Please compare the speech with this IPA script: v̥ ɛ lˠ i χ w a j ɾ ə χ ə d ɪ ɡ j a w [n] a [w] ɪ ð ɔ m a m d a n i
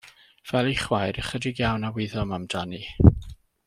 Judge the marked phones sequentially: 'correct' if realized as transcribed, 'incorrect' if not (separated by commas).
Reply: correct, correct